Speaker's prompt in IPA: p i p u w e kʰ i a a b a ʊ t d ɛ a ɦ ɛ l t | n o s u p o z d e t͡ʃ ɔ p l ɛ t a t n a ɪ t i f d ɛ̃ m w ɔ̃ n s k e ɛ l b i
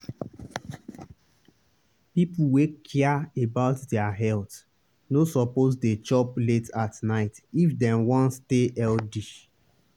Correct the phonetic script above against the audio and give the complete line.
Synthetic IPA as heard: p i p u w e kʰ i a e b a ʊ t d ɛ a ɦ ɛ l t | n o s ɔ p o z d e t͡ʃ ɔ p l e t a t n a ɪ t i f d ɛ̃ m w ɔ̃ n s t e ɛ l d i